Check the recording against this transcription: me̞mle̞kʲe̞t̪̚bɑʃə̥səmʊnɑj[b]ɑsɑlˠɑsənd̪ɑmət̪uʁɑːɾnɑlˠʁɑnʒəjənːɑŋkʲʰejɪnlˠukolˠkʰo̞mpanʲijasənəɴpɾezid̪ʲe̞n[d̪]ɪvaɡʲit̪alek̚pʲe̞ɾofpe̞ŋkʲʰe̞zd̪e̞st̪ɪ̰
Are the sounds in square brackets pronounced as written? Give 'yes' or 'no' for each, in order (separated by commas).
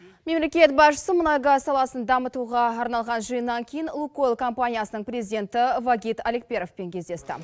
no, no